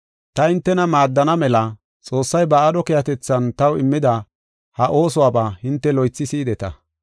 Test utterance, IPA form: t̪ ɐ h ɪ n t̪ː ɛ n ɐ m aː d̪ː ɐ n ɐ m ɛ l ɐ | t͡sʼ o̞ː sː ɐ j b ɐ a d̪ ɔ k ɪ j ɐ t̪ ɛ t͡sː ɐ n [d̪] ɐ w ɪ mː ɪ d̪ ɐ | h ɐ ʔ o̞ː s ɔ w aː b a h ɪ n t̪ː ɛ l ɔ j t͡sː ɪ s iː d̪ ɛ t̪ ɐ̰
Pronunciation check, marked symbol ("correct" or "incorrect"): incorrect